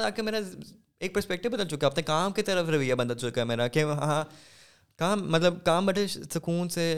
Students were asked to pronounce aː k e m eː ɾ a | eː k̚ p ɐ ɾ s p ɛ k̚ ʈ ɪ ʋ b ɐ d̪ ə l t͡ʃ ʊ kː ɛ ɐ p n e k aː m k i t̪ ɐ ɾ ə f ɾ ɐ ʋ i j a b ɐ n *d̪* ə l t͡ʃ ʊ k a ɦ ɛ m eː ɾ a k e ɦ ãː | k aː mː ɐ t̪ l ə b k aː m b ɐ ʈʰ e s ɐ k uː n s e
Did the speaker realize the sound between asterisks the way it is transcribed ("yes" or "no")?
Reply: yes